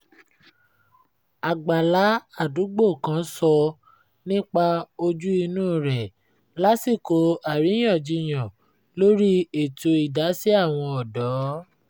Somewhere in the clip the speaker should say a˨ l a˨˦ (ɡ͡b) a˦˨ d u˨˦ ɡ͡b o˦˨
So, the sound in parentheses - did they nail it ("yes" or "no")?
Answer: no